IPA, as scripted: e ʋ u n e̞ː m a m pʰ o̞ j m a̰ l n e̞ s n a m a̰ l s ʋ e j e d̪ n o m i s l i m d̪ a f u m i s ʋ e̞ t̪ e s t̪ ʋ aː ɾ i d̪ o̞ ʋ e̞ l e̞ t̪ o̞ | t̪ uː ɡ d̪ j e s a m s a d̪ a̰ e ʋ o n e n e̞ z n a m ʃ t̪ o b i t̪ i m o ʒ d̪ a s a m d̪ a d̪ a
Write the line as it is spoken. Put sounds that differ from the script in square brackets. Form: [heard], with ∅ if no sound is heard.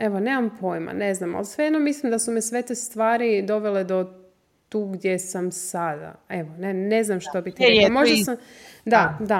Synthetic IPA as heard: e ʋ [o] n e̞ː m a m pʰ o̞ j m a̰ [∅] n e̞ [z] n a m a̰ l s ʋ e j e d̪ n o m i s l i m d̪ a [s] u m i s ʋ e̞ t̪ e s t̪ ʋ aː ɾ i d̪ o̞ ʋ e̞ l e̞ [d̪] o̞ | t̪ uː ɡ d̪ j e s a m s a d̪ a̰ e ʋ o n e n e̞ z n a m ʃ t̪ o b i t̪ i m o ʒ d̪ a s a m d̪ a d̪ a